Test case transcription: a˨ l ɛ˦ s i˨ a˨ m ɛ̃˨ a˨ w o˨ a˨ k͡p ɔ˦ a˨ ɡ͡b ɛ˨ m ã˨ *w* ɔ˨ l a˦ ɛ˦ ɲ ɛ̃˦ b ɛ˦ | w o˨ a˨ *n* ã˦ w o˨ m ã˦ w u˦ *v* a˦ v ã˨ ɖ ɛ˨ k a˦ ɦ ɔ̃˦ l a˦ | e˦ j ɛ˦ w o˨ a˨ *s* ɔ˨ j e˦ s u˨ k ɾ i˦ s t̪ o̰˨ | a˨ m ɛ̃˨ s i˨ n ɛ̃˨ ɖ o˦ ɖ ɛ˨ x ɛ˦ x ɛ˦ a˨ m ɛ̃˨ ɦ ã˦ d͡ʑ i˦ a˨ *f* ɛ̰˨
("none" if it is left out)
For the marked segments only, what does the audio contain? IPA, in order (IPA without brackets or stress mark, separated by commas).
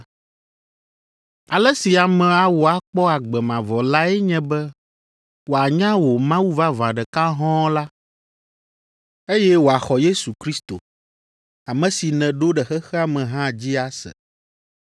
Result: v, ɲ, v, x, s